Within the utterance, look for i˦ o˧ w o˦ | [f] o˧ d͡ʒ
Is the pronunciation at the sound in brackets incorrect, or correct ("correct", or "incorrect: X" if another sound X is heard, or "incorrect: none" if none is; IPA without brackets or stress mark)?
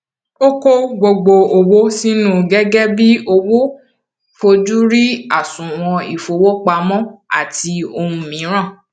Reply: correct